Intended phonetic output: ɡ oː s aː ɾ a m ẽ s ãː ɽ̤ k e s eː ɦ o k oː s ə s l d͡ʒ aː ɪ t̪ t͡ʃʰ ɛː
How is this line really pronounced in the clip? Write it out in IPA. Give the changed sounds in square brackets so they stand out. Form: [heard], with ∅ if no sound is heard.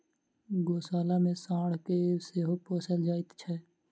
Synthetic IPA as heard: ɡ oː s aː [l] a m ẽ s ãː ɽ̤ k e s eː ɦ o [p] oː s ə [∅] l d͡ʒ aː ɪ t̪ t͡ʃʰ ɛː